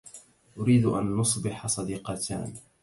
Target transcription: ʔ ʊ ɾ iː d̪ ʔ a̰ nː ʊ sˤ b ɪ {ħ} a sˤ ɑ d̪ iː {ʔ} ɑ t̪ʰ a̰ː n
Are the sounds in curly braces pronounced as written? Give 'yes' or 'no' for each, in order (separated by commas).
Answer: yes, no